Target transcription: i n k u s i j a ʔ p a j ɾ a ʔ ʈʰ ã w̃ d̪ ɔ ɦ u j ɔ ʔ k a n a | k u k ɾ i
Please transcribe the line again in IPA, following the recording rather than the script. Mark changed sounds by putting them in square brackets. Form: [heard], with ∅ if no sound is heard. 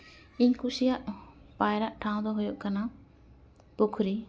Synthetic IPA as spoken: i [ɲ] k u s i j a ʔ p a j ɾ a ʔ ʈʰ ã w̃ d̪ ɔ ɦ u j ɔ ʔ k a n a | [p] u [kʰ] ɾ i

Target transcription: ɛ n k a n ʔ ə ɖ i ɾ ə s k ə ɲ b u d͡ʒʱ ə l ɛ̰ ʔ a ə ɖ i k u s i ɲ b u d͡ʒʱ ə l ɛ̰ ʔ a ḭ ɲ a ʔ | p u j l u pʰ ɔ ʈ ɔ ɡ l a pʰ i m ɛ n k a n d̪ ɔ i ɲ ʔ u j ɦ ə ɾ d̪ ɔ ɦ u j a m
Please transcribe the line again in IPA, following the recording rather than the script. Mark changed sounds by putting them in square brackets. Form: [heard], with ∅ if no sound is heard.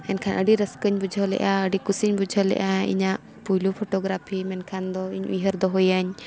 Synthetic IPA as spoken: ɛ n [kʰ] a n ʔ ə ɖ i ɾ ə s k ə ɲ b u d͡ʒʱ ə l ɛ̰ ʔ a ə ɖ i k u s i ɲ b u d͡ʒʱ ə l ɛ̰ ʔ a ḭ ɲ a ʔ | p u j l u pʰ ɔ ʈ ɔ ɡ [ɾ] a pʰ i m ɛ n [kʰ] a n d̪ ɔ i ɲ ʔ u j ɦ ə ɾ d̪ ɔ ɦ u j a [ɲ]

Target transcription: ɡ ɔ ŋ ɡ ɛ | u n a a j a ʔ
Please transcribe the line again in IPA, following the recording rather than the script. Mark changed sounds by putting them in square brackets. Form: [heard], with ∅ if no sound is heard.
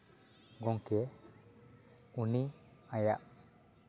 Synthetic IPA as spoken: ɡ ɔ ŋ [k] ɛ | u n [i] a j a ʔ

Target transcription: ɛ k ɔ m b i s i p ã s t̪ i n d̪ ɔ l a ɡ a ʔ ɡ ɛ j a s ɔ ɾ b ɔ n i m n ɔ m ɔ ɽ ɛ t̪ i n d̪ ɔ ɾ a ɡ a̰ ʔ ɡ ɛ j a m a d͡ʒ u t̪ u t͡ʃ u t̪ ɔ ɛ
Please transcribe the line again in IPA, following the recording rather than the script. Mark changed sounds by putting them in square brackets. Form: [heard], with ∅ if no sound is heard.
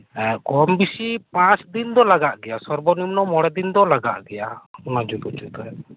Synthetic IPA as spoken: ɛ k ɔ m b i s i p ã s [d̪] i n d̪ ɔ l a ɡ a ʔ ɡ ɛ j a s ɔ ɾ b ɔ n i m n ɔ m ɔ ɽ ɛ [d̪] i n d̪ ɔ [l] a ɡ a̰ ʔ ɡ ɛ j a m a d͡ʒ u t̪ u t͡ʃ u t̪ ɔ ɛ

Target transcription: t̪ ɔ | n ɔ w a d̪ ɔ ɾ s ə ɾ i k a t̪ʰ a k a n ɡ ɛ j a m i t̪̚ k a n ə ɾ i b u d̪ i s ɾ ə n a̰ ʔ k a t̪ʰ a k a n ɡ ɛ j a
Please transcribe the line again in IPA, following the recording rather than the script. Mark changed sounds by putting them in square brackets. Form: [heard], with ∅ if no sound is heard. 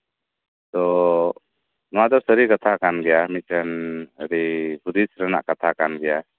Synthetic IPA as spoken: t̪ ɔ | n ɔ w a d̪ ɔ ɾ s ə ɾ i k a t̪ʰ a k a n ɡ ɛ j a m i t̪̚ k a n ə ɾ i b u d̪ i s ɾ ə n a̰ ʔ k a t̪ʰ a k a n ɡ ɛ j a

